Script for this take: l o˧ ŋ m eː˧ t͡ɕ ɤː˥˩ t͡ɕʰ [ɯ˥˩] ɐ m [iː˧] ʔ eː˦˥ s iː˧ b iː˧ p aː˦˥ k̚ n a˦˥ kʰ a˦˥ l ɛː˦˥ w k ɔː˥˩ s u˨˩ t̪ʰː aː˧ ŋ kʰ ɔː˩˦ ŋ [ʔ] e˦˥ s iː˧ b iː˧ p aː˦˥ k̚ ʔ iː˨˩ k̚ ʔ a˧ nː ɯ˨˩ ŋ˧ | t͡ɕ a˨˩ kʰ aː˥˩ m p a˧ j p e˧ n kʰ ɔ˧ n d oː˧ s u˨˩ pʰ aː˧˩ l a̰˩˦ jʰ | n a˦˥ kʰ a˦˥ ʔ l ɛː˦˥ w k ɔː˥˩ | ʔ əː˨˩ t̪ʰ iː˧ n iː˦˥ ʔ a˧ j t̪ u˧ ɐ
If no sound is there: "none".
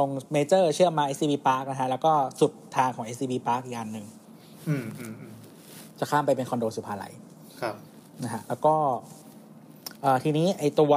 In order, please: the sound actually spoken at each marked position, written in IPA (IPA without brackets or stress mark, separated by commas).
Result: ɯ˥˩, aː˧, ʔ